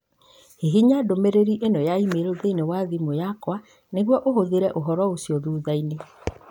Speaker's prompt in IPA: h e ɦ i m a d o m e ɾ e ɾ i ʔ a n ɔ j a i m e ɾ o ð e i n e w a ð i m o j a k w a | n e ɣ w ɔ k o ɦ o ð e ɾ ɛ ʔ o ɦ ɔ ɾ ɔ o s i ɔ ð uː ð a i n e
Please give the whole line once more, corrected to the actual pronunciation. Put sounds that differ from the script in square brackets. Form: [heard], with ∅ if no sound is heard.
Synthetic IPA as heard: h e ɦ i [ɲ] a d o m e ɾ e ɾ i ʔ [e] n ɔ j a i m e ɾ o ð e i n e w a ð i m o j a k w a | n e ɣ w ɔ [ʔ] o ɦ o ð e ɾ ɛ ʔ o ɦ ɔ ɾ ɔ o s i ɔ ð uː ð a i n e